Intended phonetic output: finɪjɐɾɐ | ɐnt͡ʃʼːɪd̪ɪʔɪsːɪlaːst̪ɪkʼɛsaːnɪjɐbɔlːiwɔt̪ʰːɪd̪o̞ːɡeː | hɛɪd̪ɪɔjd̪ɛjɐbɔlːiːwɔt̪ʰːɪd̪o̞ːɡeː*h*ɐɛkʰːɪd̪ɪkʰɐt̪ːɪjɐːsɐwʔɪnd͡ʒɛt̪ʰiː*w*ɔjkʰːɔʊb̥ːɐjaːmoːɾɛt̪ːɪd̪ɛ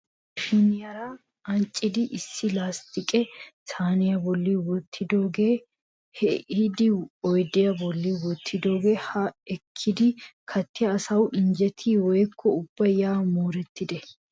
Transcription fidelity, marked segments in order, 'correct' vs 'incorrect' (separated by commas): correct, correct